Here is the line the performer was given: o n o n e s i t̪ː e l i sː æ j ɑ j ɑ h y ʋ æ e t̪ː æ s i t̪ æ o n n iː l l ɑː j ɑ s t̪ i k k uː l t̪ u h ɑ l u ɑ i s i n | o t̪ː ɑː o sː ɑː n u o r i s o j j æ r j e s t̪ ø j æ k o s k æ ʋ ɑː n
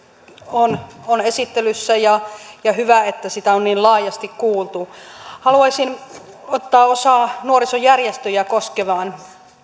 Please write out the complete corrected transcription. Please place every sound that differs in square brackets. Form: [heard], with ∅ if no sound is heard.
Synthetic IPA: o n o n e s i t̪ː e l [y] sː æ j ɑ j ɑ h y ʋ æ e t̪ː æ s i t̪ æ o n n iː l l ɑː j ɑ s t̪ i k k uː l t̪ u h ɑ l u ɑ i s i n | o t̪ː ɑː o [s] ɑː n u o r i s o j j æ r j e s t̪ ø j æ k o s k [e] ʋ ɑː n

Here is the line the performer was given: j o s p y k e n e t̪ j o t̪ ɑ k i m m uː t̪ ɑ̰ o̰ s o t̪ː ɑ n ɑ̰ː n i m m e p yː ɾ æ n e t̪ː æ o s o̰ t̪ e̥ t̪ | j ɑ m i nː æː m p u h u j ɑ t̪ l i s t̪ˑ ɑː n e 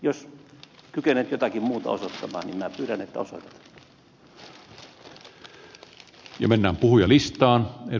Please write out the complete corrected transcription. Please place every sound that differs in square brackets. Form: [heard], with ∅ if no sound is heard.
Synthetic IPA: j o s [k] y k e n e t̪ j o t̪ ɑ k i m m uː t̪ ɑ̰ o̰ s o t̪ː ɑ [m] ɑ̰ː n i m m [æ] p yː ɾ æ n e t̪ː æ o s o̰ t̪ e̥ t̪ | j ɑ m [e] nː æː m p u h u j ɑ [∅] l i s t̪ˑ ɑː n e

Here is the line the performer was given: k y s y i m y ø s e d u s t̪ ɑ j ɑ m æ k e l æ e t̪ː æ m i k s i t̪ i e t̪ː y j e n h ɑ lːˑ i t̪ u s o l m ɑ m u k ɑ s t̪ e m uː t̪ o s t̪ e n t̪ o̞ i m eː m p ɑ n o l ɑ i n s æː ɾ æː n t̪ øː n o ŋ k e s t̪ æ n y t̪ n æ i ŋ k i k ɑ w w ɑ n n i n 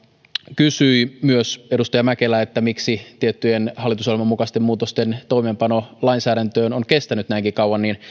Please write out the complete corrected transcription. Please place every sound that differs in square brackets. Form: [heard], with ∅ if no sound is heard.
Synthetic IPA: k y s y i m y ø s e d u s t̪ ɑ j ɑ m æ k e l æ e t̪ː æ m i k s i t̪ i e t̪ː y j e n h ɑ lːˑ i t̪ u s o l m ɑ m u k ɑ s t̪ e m uː t̪ o s t̪ e n t̪ o̞ i m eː m p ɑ n o l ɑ i n s æː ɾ [æ] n t̪ øː n o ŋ k e s t̪ æ n y t̪ n æ i ŋ k i k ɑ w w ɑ n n i n

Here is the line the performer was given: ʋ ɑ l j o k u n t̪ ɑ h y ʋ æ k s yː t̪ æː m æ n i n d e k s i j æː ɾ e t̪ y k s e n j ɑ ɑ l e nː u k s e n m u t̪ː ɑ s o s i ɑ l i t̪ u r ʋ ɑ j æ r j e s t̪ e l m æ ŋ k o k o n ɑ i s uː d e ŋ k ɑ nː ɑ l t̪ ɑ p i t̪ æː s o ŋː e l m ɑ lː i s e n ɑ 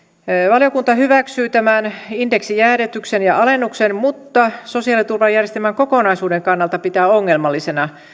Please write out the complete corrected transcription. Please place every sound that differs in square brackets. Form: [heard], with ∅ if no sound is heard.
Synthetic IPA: ʋ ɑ l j o k u n t̪ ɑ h y ʋ æ k s yː t̪ [æ] m æ n i n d e k s i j æː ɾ e t̪ y k s e n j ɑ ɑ l e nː u k s e n m u t̪ː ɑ s o s i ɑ l i t̪ u r ʋ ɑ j æ r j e s t̪ e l m æ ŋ k o k o n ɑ i s uː d e ŋ k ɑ nː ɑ l t̪ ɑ p i t̪ æː [∅] o ŋː e l m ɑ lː i s e n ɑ

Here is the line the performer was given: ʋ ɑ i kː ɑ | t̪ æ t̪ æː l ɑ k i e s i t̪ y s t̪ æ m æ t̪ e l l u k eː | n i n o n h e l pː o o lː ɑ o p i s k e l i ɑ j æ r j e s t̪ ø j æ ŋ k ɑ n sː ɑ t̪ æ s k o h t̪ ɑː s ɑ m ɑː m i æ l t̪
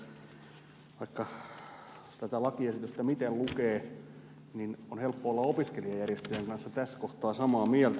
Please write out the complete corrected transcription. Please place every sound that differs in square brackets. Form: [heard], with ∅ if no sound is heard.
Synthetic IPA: ʋ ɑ i kː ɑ | t̪ æ t̪ [æ] l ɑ k i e s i t̪ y s t̪ æ m [i] t̪ e l l u k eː | n i n o n h e l pː o o lː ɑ o p i s k e l i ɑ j æ r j e s t̪ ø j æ ŋ k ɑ n sː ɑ t̪ æ s k o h t̪ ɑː s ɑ m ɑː m i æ l t̪

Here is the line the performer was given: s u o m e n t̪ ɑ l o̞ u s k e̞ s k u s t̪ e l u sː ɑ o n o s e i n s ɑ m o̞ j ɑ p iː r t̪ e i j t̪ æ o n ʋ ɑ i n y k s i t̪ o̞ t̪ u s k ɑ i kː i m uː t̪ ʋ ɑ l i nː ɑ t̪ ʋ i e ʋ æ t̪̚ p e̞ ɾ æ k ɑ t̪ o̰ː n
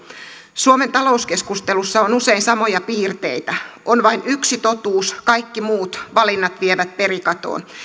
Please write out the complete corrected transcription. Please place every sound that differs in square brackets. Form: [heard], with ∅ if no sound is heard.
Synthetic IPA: s u o m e n t̪ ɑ l o̞ u s k e̞ s k u s t̪ e l u sː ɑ o n [u] s e i n s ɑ m o̞ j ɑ p iː r t̪ e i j t̪ æ o n ʋ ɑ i n y k s i t̪ o̞ t̪ [uː] s k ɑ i kː i m uː t̪ ʋ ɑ l i nː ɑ t̪ ʋ i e ʋ æ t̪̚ p e̞ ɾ [i] k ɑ t̪ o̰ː n

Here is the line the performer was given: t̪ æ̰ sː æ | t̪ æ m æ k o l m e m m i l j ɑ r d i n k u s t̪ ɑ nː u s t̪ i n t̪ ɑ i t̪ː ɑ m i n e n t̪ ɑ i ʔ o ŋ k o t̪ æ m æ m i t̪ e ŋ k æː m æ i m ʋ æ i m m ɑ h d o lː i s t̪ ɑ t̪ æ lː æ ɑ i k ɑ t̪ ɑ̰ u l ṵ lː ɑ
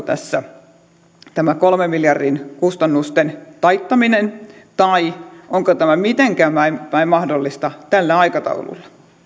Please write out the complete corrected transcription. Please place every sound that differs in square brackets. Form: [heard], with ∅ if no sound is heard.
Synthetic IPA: t̪ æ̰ sː æ | t̪ æ m æ k o l m e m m i l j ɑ r d i n k u s t̪ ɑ nː u s t̪ [e] n t̪ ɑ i t̪ː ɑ m i n e n t̪ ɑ i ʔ o ŋ k o t̪ æ m æ m i t̪ e ŋ k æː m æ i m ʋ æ i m m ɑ h d o lː i s t̪ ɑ t̪ æ lː æ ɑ i k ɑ t̪ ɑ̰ u l ṵ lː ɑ

